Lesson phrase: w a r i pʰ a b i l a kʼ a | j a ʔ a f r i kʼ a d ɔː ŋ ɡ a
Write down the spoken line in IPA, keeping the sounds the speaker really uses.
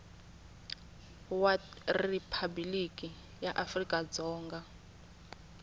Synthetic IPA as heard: w a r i pʰ a b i l i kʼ i | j a ʔ a f r i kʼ a d͡z ɔː ŋ ɡ a